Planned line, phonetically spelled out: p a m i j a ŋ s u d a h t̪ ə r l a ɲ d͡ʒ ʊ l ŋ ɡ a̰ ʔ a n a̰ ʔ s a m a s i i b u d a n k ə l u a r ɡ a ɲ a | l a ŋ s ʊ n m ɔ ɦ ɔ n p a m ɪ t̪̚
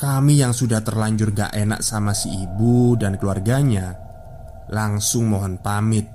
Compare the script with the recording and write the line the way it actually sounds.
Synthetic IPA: k a m i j a ŋ s u d a h t̪ ə r l a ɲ d͡ʒ ʊ r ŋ ɡ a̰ ʔ e n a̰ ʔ s a m a s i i b u d a n k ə l u a r ɡ a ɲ a | l a ŋ s ʊ ŋ m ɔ ɦ ɔ n p a m ɪ t̪̚